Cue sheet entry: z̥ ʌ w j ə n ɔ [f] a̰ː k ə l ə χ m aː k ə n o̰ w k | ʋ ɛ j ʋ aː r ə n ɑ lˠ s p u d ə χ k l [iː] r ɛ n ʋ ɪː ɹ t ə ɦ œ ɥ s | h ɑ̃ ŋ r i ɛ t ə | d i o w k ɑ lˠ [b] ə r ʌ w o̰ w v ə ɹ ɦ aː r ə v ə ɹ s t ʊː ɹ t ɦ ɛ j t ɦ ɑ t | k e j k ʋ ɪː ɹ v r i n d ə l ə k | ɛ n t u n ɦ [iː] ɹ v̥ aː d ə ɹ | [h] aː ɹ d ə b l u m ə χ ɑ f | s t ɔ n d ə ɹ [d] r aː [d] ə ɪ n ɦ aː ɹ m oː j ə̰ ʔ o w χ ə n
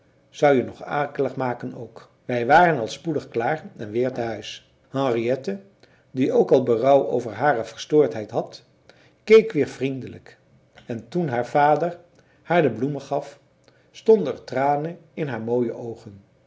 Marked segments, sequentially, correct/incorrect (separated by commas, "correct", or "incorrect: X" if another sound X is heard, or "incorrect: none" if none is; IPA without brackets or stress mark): incorrect: χ, incorrect: aː, correct, incorrect: aː, correct, incorrect: t, incorrect: n